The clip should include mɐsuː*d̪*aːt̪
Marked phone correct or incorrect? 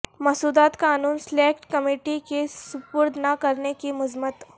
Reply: correct